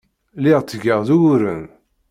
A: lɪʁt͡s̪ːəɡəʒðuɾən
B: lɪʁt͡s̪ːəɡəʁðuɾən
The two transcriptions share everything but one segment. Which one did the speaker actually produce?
B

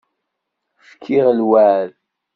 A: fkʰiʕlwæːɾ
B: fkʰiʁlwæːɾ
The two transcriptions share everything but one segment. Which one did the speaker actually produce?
B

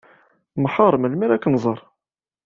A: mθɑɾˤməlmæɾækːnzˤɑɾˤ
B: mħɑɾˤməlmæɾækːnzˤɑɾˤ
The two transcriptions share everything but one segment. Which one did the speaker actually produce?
B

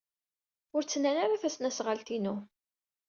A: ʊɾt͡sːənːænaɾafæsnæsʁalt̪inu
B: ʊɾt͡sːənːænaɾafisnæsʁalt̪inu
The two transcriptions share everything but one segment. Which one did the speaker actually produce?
A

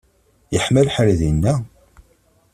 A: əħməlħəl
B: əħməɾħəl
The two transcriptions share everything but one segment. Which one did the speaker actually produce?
A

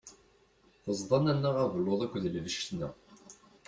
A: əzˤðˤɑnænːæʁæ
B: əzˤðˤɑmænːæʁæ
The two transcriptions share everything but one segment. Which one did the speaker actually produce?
A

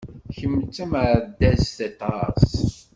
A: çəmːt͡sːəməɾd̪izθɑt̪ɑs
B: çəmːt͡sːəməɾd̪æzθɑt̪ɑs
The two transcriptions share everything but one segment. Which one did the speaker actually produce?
B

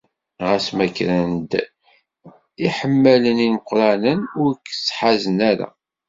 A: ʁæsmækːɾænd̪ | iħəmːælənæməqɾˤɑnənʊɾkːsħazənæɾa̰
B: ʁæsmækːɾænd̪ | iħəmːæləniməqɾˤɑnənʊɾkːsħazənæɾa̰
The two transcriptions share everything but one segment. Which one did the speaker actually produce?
B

